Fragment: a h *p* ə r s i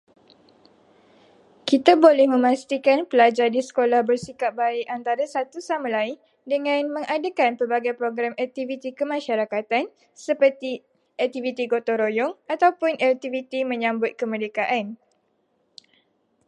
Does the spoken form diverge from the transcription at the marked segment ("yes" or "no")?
yes